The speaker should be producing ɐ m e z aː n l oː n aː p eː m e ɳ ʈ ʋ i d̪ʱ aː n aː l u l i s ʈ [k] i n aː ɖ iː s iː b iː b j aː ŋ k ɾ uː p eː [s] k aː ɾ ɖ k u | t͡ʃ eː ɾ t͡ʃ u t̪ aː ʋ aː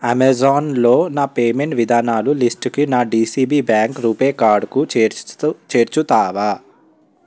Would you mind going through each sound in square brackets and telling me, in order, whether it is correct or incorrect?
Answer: correct, incorrect: none

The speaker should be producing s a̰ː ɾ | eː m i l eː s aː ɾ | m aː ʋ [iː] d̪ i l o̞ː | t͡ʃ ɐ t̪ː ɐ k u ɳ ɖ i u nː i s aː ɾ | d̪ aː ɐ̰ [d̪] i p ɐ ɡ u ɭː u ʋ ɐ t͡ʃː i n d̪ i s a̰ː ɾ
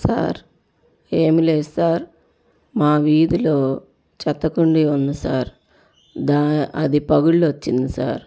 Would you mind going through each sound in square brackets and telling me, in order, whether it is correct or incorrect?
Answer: correct, correct

